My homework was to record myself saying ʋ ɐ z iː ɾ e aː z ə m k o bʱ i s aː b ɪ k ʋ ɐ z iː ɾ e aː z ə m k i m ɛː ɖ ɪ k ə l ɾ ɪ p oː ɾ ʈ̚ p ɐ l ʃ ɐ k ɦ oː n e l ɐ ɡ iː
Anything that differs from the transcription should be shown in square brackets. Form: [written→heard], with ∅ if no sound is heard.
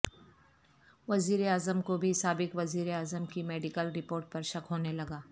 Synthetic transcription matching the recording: ʋ ɐ z iː ɾ e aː z ə m k o bʱ i s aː b ɪ k ʋ ɐ z iː ɾ e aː z ə m k i m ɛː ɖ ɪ k ə l ɾ ɪ p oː ɾ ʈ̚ p ɐ [l→ɾ] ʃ ɐ k ɦ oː n e l ɐ ɡ [iː→aː]